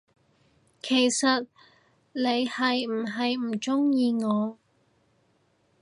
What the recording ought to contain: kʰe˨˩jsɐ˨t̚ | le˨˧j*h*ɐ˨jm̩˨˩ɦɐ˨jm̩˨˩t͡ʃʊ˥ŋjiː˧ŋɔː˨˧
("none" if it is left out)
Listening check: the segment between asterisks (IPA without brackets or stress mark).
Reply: h